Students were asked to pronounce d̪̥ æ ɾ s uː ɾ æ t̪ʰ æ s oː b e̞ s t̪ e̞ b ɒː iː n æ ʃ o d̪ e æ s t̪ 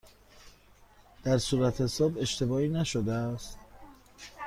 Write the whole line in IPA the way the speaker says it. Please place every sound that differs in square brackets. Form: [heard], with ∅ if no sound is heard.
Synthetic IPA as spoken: d̪̥ æ ɾ s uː ɾ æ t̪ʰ [e] s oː b e̞ [ʃ] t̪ e̞ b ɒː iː n æ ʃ o d̪ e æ s t̪